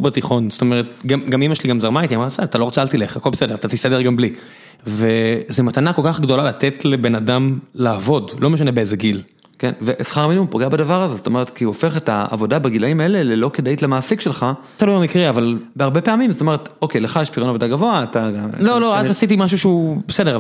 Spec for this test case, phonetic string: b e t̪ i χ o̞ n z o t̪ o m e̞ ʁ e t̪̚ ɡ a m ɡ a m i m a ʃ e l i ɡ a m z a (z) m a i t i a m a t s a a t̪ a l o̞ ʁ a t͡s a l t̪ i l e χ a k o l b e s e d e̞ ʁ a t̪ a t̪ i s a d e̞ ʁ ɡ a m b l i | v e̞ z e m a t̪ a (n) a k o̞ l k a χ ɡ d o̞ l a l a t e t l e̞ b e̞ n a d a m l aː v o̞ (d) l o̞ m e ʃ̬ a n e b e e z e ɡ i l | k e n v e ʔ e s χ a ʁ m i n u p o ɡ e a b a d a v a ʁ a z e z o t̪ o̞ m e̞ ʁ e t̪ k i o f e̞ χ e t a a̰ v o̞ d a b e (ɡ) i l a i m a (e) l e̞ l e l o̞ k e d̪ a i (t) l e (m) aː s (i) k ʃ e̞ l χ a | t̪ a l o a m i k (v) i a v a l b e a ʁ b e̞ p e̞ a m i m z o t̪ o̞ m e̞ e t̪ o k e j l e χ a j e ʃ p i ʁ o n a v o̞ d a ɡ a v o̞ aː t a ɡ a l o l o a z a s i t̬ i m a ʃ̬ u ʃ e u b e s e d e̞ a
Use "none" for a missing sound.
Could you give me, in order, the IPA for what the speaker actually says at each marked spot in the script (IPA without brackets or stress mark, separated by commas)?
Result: ʁ, n, d, ɡ, e, t, m, i, ʁ